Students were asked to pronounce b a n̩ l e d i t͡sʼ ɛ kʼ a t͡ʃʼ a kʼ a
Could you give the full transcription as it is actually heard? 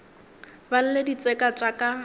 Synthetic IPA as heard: b a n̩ l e d i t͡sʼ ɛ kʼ a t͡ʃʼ a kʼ a